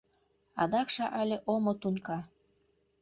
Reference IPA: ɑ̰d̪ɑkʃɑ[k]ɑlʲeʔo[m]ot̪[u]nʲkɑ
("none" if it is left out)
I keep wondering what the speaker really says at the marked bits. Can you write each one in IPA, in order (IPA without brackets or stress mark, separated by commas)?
ʔ, m, u